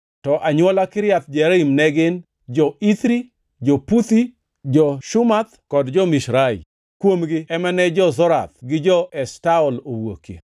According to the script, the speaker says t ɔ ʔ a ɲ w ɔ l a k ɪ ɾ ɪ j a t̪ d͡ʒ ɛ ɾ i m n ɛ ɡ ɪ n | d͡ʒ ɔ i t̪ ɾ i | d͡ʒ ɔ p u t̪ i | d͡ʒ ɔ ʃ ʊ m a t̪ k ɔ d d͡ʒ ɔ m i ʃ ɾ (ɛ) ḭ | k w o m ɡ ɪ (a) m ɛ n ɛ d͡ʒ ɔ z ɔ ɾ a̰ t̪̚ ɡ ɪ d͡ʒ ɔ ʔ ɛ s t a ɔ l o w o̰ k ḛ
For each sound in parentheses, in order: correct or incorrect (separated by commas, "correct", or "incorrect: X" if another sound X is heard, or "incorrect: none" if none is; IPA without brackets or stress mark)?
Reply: incorrect: a, incorrect: ɛ